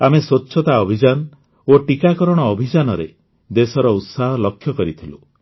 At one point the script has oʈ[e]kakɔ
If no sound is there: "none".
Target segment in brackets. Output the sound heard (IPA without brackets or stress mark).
i